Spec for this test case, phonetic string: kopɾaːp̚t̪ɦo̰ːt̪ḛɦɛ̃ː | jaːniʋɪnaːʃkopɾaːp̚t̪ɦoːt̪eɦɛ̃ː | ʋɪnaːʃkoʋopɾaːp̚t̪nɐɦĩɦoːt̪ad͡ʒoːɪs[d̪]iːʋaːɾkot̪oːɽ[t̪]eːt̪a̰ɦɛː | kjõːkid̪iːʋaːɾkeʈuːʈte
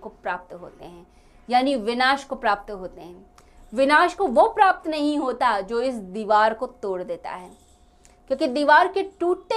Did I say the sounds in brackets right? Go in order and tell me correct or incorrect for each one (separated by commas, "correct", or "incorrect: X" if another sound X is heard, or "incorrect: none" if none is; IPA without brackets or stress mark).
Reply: correct, incorrect: d̪